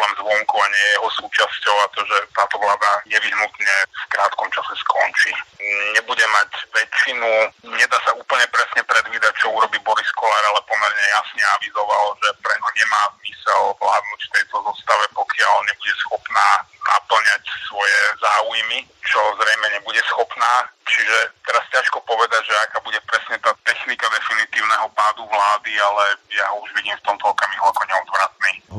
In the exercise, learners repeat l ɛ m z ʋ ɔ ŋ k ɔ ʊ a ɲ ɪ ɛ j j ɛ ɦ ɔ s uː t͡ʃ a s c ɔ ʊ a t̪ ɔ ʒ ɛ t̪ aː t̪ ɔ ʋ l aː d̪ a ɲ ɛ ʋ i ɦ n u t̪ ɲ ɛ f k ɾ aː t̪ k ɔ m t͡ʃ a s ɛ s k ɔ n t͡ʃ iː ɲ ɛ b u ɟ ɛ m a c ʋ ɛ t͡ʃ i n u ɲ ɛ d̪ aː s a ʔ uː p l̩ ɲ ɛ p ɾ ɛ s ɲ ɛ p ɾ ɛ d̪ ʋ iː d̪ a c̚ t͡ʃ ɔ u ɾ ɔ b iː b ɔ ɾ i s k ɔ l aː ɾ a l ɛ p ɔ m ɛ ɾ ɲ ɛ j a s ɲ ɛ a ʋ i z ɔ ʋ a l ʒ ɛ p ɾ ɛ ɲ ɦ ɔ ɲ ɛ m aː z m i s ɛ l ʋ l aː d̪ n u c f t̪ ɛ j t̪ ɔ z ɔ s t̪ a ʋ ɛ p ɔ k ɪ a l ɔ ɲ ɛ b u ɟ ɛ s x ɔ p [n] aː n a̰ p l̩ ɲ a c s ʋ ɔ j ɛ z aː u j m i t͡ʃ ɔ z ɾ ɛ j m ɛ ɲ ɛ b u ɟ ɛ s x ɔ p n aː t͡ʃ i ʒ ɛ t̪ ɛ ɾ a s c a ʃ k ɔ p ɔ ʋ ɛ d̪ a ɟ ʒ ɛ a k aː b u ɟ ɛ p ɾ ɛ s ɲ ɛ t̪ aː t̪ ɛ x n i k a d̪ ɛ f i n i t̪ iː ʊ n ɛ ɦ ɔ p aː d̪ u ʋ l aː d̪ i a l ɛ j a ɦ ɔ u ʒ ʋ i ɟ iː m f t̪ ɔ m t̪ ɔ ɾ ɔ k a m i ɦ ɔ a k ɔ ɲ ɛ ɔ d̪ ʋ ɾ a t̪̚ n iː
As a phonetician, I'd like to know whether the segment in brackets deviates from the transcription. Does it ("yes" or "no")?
no